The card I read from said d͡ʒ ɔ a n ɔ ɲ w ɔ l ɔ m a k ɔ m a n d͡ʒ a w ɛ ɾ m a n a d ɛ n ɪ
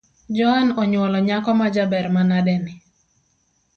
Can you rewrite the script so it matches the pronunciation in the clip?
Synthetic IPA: d͡ʒ ɔ a n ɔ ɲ w ɔ l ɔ ɲ a k ɔ m a d͡ʒ a b ɛ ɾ m a n a d ɛ n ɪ

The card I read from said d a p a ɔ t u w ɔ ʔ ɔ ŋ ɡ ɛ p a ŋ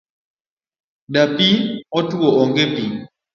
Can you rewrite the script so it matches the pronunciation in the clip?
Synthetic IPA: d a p i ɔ t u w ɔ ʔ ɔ ŋ ɡ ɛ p i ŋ

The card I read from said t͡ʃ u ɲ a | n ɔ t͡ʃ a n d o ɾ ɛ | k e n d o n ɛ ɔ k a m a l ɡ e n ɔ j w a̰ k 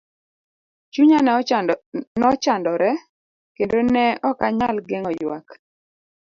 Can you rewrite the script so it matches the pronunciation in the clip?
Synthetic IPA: t͡ʃ u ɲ a | n ɔ t͡ʃ a n d ɔ ɾ ɛ | k e n d o n ɛ ɔ k a ɲ a l ɡ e ŋ ɔ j w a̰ k

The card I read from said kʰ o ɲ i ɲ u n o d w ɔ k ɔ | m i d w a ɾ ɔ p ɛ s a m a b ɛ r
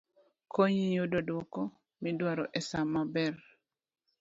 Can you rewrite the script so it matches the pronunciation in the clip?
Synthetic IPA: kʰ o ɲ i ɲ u d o d w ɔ k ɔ | m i d w a ɾ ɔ ʔ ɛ s a m a b ɛ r

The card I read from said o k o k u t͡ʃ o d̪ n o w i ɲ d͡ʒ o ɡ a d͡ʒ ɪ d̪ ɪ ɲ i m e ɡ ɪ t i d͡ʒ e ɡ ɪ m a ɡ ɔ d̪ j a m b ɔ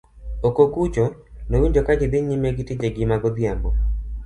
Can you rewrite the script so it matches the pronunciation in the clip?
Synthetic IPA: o k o k u t͡ʃ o n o w i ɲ d͡ʒ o k a d͡ʒ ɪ d̪ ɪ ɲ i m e ɡ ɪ t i d͡ʒ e ɡ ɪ m a ɡ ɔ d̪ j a m b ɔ

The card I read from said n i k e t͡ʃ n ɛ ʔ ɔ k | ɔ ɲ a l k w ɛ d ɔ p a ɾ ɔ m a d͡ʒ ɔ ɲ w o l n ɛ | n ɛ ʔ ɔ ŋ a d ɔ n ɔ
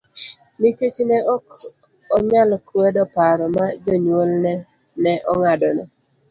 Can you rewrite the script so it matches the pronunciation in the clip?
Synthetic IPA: n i k e t͡ʃ n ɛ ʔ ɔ k | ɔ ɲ a l k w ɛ d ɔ p a ɾ ɔ m a d͡ʒ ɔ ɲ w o l n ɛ | n ɛ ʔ ɔ ŋ a d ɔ n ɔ

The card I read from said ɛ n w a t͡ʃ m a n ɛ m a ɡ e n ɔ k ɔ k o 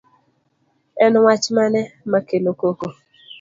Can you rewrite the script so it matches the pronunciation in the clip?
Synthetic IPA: ɛ n w a t͡ʃ m a n ɛ m a k e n o k o k o

